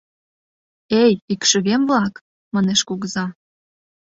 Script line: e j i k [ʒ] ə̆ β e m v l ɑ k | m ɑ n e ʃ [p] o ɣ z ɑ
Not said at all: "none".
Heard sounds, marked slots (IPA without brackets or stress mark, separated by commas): ʃ, k